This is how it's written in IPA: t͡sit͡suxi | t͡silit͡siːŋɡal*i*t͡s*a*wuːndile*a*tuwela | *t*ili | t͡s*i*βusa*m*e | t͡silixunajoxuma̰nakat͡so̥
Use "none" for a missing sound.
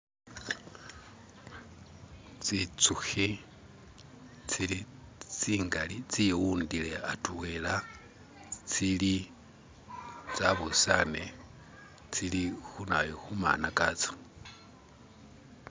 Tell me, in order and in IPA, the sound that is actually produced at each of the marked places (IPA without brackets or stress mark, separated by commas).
i, i, a, t͡s, a, n